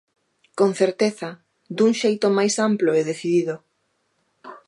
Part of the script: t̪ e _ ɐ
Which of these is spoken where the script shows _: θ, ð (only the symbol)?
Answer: θ